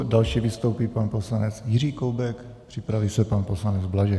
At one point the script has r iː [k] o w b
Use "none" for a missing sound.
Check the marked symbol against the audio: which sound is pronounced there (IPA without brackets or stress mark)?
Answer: k